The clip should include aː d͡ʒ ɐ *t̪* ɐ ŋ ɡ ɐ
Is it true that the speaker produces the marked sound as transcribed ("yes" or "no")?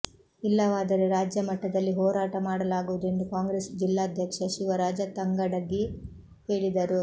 yes